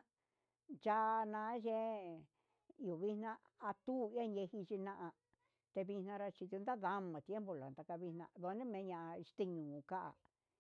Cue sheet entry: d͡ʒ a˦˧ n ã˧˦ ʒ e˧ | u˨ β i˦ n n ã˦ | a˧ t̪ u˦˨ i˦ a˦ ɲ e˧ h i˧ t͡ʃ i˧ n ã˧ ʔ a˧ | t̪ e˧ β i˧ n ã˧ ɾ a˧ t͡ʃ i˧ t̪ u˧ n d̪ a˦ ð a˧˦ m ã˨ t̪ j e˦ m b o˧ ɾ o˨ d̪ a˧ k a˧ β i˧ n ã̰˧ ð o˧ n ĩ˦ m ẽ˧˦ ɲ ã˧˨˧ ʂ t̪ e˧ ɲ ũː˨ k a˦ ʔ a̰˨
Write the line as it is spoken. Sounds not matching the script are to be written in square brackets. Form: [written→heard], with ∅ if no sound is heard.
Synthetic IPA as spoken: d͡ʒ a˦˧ n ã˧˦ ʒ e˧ | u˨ β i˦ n n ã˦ | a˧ t̪ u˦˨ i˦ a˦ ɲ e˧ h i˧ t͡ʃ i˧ n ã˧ ʔ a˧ | t̪ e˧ β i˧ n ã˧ ɾ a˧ t͡ʃ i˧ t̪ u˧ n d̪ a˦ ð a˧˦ m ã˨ t̪ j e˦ m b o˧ [ɾ→l] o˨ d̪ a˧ k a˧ β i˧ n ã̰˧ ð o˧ n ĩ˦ m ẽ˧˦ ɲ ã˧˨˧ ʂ t̪ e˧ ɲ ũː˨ k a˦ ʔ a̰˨